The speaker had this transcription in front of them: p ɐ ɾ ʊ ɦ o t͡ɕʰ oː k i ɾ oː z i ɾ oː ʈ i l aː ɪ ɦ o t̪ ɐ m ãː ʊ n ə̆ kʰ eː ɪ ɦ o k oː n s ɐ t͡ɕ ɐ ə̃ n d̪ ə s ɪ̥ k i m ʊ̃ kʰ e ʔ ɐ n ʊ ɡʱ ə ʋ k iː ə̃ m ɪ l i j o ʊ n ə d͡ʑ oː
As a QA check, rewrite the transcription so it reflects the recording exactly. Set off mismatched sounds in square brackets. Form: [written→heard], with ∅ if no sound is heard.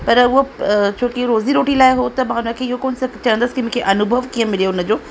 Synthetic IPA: p ɐ ɾ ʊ ɦ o t͡ɕʰ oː k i ɾ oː z i ɾ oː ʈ i l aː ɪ ɦ o t̪ ɐ m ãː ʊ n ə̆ kʰ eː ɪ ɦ o k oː n s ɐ t͡ɕ ɐ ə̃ n d̪ ə s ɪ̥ k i m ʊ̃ kʰ e ʔ ɐ n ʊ [ɡʱ→bʱ] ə ʋ k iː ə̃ m ɪ l i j o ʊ n ə d͡ʑ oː